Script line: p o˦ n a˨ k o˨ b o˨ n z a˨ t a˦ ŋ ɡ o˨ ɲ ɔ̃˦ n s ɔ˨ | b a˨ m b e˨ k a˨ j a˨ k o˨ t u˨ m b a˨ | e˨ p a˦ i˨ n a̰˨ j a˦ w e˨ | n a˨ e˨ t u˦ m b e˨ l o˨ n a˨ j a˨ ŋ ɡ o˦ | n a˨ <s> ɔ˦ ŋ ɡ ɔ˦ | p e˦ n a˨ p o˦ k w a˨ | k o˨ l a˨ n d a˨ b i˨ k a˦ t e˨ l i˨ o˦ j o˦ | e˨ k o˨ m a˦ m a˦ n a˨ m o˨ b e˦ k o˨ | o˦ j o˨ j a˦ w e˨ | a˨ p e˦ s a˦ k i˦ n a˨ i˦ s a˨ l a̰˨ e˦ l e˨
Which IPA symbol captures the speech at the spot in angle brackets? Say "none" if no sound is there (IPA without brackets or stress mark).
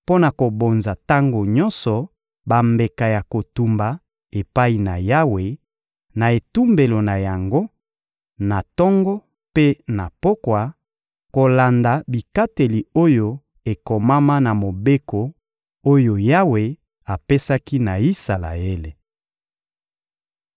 t